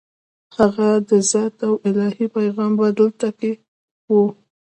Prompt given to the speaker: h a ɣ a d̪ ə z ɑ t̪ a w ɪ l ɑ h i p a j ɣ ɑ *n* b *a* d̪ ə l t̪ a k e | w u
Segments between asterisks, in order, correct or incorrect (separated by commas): incorrect, correct